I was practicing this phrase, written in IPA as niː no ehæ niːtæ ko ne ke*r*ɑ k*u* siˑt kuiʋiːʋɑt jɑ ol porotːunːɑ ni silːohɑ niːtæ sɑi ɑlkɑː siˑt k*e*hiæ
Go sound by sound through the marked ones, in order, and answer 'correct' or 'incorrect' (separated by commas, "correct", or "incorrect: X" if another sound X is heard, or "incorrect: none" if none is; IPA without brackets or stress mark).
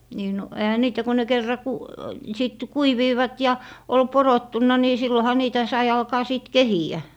incorrect: rː, correct, correct